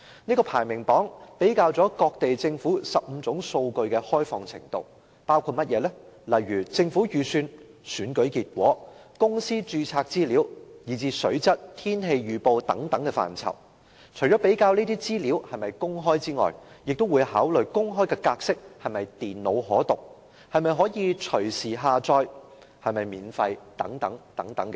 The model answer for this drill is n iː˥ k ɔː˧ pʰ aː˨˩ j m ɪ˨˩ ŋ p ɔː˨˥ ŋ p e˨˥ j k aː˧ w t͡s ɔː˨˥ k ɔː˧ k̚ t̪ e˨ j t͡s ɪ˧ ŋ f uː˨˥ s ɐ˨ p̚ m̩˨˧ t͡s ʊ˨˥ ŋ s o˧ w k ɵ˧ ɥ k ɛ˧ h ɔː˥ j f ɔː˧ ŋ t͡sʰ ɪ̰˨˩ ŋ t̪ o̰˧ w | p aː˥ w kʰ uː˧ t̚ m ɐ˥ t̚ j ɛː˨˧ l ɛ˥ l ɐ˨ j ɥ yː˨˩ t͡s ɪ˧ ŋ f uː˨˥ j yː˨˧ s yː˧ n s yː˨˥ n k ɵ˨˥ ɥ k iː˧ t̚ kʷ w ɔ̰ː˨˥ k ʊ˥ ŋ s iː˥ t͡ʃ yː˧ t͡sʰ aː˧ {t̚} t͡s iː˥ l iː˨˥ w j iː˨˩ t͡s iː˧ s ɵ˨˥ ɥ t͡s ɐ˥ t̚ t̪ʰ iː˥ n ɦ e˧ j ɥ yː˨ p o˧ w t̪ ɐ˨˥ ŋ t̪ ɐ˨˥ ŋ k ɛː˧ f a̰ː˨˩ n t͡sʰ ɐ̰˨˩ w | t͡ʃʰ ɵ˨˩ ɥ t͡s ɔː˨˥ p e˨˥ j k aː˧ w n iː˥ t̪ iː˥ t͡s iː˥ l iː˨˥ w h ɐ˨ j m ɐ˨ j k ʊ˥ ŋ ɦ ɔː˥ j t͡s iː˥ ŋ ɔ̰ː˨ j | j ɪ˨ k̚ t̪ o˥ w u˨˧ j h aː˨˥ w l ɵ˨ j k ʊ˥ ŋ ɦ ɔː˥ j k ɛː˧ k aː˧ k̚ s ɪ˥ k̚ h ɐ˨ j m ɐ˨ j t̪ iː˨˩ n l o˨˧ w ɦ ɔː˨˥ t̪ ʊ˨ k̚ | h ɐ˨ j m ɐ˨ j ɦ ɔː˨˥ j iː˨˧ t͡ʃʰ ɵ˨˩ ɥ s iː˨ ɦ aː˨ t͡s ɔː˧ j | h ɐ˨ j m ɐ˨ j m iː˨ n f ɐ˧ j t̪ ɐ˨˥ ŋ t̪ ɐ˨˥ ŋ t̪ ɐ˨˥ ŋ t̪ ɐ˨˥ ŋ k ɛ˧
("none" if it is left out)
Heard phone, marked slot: k̚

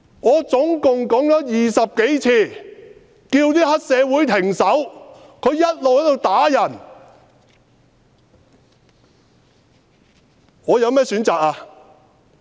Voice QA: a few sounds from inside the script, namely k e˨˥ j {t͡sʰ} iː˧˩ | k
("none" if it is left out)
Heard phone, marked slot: t͡sʰ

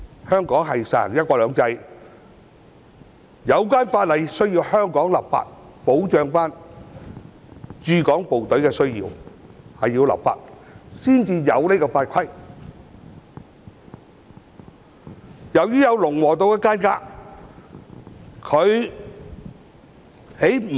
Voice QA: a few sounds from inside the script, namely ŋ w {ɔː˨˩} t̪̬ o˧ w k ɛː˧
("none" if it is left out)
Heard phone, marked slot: ɔː˨˩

